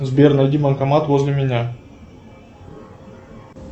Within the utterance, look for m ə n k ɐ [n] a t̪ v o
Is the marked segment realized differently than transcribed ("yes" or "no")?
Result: yes